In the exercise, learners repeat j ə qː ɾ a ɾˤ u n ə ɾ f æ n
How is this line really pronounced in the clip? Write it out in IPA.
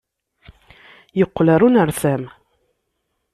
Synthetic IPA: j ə qː l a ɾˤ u n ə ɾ θ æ m